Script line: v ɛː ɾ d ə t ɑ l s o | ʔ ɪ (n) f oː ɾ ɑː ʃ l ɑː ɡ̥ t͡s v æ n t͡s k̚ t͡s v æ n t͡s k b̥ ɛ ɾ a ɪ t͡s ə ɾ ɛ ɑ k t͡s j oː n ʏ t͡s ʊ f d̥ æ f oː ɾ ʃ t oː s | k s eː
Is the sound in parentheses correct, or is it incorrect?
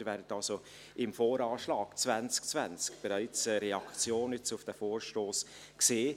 incorrect